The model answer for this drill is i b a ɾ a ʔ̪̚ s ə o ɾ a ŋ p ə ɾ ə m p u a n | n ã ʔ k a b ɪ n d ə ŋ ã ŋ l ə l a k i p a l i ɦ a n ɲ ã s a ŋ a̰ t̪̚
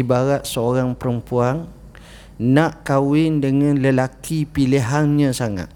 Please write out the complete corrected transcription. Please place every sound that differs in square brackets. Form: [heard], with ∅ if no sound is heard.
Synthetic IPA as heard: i b a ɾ a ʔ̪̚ s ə o ɾ a ŋ p ə ɾ ə m p u a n | n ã ʔ k a [w] ɪ n d ə ŋ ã [n] l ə l a k i p [i] l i ɦ a n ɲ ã s a ŋ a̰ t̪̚